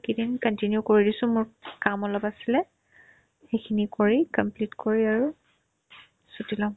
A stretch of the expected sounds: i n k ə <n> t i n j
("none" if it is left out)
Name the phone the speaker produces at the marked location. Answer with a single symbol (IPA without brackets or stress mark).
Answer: n